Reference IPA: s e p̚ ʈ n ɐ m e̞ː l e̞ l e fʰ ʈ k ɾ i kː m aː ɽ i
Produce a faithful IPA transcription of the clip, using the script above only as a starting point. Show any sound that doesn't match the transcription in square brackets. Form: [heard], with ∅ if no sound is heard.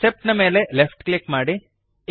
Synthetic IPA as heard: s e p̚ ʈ n ɐ m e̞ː l e̞ l e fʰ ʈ k [l] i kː m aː ɽ i